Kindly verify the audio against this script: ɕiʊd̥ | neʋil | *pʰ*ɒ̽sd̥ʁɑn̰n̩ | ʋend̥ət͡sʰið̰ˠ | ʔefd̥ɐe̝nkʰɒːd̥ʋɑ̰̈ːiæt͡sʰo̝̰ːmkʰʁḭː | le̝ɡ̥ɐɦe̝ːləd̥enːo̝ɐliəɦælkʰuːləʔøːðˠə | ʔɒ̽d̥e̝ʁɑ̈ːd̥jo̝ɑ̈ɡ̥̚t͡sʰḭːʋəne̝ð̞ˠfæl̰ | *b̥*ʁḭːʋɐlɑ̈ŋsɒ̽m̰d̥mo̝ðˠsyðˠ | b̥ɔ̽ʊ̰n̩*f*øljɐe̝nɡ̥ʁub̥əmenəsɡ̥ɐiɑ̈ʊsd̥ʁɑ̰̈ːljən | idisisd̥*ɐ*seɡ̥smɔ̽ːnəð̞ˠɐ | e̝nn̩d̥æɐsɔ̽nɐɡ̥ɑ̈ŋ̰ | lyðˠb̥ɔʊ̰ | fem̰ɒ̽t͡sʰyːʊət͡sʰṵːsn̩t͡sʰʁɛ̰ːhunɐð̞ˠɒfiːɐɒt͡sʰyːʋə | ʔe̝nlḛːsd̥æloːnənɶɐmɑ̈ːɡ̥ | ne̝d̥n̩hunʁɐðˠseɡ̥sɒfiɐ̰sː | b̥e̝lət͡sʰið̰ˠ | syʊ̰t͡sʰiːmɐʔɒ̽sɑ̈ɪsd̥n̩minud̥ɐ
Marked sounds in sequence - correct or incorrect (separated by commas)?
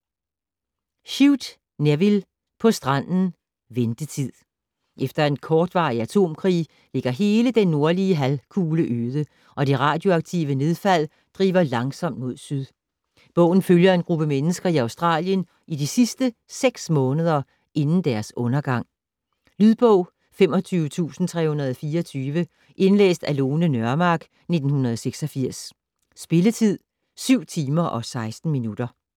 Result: correct, incorrect, correct, incorrect